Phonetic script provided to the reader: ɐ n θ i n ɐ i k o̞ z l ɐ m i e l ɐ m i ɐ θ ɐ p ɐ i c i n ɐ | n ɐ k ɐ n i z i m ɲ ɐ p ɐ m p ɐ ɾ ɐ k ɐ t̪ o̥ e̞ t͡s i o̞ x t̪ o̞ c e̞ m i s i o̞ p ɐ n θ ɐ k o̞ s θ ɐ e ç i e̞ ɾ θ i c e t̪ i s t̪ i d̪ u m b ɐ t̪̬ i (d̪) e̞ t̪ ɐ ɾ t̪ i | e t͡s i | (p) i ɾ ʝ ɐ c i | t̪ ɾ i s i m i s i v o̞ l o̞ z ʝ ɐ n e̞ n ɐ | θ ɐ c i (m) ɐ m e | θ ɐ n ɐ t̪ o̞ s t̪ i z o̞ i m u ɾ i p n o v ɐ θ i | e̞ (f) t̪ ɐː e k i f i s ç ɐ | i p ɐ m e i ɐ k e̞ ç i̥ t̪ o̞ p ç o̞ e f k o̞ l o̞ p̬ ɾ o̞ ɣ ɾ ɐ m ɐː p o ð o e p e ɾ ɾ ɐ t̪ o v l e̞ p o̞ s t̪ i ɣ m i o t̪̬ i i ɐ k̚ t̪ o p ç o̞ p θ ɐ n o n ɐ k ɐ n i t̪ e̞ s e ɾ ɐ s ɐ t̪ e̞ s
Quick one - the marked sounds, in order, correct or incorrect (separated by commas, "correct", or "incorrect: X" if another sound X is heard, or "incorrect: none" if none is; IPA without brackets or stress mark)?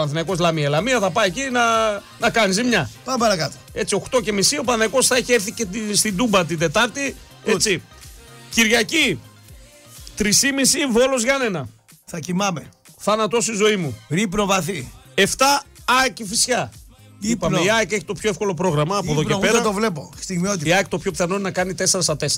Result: correct, incorrect: c, correct, correct